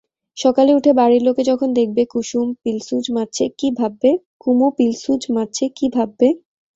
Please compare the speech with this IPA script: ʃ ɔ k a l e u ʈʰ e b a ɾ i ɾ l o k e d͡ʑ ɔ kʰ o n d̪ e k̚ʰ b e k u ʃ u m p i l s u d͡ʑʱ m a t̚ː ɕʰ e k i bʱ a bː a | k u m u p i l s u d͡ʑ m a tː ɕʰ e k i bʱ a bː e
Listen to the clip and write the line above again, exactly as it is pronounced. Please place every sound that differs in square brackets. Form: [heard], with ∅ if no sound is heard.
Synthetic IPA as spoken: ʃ ɔ k a l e u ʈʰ e b a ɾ i ɾ l o k e d͡ʑ ɔ kʰ o n d̪ e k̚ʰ b e k u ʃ u m p i l s u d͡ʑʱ m a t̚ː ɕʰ e k i bʱ a bː [e] | k u m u p i l s u d͡ʑ m a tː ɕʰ e k i bʱ a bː e